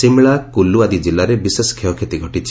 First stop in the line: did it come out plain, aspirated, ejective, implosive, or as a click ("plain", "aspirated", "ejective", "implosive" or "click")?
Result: plain